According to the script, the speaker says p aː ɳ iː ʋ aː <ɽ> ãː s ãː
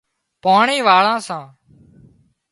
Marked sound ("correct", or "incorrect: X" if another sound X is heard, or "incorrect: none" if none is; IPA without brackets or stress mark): incorrect: ɭ